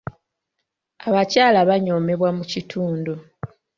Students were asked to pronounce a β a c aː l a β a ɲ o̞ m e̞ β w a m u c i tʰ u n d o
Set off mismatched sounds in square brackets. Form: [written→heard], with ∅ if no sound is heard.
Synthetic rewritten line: a β a c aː l a β a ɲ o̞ m e̞ β w a m u c i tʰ [u→uː] n d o